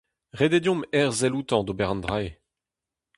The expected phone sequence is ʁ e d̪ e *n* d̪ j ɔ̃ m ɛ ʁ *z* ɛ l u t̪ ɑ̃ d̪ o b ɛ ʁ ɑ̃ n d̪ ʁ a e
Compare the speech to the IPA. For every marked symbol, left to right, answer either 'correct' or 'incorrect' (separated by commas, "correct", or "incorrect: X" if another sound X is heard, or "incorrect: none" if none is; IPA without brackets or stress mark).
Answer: incorrect: none, correct